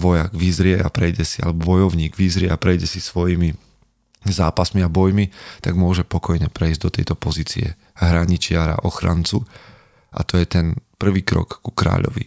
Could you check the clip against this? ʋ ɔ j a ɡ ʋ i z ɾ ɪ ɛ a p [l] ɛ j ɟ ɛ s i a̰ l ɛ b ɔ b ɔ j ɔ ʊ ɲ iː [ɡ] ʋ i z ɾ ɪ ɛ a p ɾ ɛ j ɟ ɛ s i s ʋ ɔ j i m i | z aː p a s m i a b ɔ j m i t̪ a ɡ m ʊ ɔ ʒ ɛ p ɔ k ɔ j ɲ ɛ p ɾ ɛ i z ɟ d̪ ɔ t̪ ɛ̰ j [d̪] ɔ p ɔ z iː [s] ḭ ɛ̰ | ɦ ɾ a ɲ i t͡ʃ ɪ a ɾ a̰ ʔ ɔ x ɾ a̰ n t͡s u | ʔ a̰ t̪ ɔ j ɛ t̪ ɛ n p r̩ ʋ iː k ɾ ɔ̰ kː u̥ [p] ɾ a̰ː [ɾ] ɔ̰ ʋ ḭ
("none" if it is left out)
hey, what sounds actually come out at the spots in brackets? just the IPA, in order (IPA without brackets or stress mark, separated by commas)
ɾ, ɡ, t̪, t͡s, k, ʎ